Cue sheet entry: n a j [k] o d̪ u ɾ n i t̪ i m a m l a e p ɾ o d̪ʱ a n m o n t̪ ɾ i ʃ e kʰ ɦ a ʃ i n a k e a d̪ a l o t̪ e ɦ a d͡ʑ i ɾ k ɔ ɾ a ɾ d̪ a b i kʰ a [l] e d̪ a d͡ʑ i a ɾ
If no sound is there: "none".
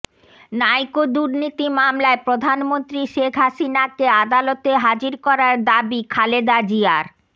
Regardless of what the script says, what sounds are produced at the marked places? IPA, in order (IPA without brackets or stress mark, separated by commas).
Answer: k, l